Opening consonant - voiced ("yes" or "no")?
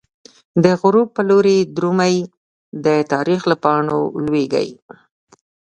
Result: yes